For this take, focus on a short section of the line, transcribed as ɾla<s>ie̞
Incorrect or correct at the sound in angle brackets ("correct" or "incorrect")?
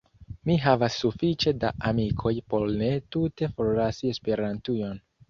correct